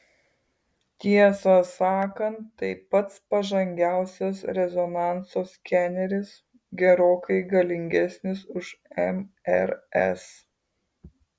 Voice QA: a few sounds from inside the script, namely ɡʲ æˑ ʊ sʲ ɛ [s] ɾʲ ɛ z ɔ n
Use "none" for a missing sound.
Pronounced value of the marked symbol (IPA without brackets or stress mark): s